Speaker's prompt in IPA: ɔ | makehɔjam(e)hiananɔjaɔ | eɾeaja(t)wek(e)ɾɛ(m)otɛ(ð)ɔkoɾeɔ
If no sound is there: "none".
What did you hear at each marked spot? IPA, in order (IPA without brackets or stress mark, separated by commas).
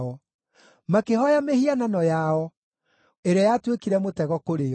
e, t, i, m, ɣ